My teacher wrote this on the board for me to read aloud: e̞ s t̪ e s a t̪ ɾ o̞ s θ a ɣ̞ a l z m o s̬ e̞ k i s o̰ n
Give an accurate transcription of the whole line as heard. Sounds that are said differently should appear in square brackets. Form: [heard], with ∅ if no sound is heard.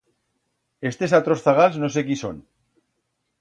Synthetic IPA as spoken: e̞ s t̪ e s a t̪ ɾ o̞ s θ a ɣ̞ a l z [n] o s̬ e̞ k i s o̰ n